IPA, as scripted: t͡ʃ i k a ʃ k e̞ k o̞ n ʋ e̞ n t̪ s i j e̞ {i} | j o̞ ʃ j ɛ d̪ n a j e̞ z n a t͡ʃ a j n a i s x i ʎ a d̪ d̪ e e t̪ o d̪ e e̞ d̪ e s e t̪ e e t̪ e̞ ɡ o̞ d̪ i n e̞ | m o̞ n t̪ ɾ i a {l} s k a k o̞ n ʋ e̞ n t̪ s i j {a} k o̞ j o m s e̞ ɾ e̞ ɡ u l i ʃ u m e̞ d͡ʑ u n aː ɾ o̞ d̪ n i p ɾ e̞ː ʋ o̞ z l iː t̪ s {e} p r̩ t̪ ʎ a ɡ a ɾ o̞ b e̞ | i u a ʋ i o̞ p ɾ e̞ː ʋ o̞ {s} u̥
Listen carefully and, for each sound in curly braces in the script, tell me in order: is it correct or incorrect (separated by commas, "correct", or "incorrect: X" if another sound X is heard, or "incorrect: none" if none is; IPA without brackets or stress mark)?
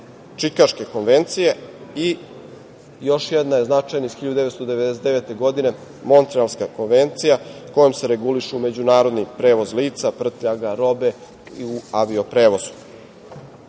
correct, correct, correct, incorrect: a, incorrect: z